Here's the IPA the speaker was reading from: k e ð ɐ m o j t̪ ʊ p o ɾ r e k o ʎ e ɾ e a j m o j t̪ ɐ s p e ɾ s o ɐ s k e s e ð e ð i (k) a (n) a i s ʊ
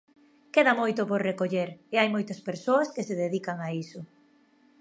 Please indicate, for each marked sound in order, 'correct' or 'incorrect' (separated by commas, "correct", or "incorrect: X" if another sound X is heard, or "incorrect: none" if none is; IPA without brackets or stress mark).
correct, incorrect: ŋ